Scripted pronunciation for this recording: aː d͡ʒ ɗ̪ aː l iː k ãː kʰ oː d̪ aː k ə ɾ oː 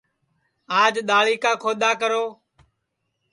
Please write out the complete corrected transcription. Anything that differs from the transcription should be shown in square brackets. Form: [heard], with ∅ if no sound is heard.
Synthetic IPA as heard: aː d͡ʒ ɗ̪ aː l iː k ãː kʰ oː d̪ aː k ə ɾ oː